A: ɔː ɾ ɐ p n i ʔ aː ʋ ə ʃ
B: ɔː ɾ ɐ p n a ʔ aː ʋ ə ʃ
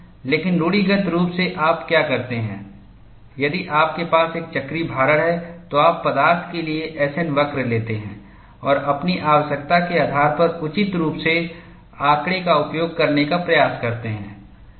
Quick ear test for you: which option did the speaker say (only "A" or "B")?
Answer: A